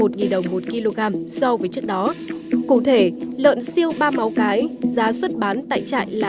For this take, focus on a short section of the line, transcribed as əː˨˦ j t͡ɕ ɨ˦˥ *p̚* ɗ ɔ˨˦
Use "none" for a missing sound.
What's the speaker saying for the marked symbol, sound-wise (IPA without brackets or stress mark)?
k̚